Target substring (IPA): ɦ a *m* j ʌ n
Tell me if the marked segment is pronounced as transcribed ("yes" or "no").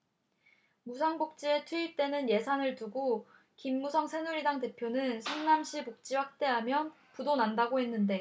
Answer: yes